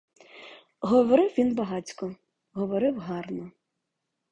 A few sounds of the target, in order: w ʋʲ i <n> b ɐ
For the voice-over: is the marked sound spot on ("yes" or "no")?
yes